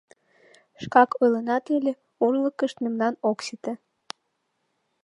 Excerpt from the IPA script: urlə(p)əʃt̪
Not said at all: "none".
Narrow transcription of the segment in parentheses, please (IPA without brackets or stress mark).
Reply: k